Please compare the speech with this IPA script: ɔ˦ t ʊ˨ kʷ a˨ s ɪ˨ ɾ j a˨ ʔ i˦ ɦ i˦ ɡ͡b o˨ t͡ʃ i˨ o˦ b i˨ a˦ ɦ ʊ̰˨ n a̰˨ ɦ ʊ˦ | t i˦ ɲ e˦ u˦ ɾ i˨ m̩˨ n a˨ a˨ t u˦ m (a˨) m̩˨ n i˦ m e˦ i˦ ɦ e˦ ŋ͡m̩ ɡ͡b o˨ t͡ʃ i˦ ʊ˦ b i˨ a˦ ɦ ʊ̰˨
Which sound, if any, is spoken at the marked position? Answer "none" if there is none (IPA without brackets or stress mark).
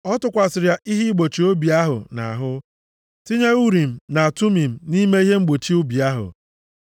i˨